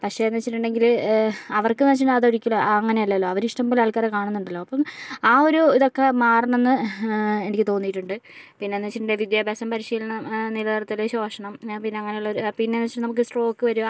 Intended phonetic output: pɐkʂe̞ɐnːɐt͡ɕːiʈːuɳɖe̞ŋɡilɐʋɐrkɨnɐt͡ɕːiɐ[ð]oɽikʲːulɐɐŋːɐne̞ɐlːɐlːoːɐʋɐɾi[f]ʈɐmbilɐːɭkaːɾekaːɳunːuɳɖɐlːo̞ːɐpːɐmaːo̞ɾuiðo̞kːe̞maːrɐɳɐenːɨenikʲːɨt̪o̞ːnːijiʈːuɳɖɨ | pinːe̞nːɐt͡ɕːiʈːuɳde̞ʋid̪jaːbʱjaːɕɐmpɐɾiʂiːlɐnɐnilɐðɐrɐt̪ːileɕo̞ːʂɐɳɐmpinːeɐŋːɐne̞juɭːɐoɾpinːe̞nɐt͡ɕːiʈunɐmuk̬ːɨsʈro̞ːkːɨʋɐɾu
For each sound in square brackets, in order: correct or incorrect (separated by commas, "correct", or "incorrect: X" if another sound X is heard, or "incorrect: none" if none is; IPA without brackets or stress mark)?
correct, incorrect: ʂ